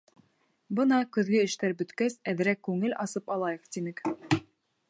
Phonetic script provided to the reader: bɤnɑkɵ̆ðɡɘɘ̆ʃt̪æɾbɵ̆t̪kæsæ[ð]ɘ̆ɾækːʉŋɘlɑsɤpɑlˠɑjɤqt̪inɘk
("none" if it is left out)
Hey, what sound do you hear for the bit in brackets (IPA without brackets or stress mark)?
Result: ð